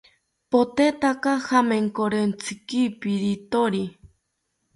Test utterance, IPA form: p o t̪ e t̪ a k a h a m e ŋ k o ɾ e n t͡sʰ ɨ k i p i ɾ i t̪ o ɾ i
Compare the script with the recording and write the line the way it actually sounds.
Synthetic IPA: p o t̪ e t̪ a k a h a m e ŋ k o ɾ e n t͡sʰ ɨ k i p i ɾ i t̪ o ɾ i

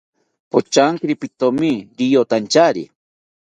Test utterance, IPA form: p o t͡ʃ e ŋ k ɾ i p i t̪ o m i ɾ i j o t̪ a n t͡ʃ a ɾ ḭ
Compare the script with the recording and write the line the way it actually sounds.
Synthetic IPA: p o t͡ʃ a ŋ k ɾ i p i t̪ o m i ɾ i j o t̪ a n t͡ʃ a ɾ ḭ

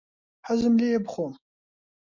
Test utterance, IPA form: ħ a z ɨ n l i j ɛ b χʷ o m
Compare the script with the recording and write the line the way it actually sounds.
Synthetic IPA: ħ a z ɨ m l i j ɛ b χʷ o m

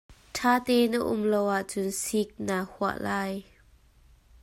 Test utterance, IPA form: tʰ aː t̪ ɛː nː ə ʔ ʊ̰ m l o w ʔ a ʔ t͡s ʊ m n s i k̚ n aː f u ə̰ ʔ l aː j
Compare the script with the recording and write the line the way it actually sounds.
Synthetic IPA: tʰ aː t̪ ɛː n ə ʔ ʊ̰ m l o w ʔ a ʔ t͡s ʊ n s i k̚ n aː h u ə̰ ʔ l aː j

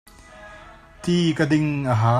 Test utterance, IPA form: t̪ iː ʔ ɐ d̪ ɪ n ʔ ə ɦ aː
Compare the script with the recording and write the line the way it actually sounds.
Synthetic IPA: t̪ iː k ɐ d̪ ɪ ŋ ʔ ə ɦ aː

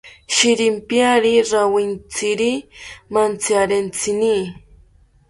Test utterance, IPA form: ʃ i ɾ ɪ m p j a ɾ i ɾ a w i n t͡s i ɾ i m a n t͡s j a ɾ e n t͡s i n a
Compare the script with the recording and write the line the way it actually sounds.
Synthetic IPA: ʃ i ɾ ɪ m p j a ɾ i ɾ a w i n t͡s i ɾ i m a n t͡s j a ɾ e n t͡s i n i

